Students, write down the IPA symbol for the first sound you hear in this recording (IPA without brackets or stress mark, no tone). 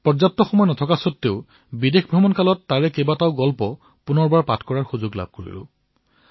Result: p